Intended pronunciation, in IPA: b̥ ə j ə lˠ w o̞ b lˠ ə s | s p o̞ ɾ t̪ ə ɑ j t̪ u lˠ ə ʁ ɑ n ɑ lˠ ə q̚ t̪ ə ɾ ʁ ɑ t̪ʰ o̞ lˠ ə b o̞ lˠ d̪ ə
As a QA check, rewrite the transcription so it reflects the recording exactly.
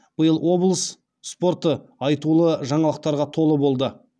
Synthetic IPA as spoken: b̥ ə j ə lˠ w o̞ b lˠ ə s | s p o̞ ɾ t̪ ə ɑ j t̪ u lˠ ə ʒ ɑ ɴ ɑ lˠ ə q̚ t̪ ɑ ɾ ʁ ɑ t̪ʰ o̞ lˠ ə b o̞ lˠ d̪ ə